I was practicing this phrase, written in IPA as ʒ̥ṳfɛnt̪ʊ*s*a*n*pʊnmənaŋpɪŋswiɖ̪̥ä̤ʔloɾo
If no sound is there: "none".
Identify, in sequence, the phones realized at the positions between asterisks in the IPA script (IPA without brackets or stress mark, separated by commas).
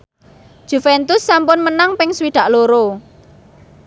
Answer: sː, m